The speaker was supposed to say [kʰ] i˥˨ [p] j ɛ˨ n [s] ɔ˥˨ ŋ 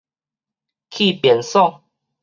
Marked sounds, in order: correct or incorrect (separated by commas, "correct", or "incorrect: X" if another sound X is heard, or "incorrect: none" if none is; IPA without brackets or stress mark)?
correct, correct, correct